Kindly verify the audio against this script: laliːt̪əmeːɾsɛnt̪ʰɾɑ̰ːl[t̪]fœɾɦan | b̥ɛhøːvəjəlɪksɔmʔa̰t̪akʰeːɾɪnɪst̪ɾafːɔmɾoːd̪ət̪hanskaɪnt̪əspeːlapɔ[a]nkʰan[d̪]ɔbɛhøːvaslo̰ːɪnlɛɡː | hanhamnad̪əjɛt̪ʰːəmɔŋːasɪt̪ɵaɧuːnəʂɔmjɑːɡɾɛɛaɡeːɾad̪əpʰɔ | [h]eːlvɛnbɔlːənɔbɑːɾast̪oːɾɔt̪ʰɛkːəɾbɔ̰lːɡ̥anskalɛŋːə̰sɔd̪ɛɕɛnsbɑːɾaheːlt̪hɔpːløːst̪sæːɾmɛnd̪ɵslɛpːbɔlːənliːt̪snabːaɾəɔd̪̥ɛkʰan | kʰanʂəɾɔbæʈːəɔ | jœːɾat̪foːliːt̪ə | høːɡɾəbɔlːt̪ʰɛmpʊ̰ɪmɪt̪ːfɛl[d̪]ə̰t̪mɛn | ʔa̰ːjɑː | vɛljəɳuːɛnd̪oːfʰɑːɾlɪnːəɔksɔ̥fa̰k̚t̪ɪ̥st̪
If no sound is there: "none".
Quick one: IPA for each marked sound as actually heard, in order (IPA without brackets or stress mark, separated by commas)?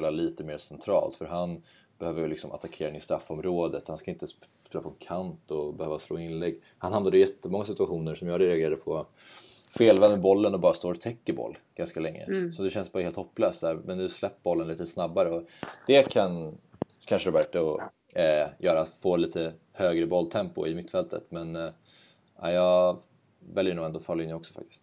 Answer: t̪, ɛ, t̪, f, t̪